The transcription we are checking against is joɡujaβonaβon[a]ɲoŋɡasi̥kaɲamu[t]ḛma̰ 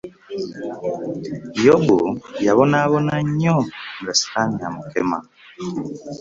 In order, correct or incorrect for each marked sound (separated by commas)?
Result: correct, incorrect